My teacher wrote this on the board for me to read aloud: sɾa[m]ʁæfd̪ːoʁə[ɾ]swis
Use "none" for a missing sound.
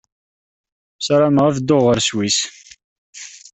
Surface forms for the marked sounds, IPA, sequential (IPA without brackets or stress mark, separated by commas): m, ɾ